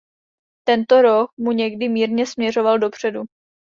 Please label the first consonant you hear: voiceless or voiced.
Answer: voiceless